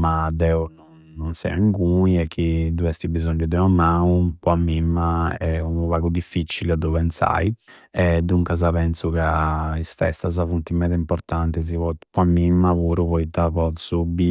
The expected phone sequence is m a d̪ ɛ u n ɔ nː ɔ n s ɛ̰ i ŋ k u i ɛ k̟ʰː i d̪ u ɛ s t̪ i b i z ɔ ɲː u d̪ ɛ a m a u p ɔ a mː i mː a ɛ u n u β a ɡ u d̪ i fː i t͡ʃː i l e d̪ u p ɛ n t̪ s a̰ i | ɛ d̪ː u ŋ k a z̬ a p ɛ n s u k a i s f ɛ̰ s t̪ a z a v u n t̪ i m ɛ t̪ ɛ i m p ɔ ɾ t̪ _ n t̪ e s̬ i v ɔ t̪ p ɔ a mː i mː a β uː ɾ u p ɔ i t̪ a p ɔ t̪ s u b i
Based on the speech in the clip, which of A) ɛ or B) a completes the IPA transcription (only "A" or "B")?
B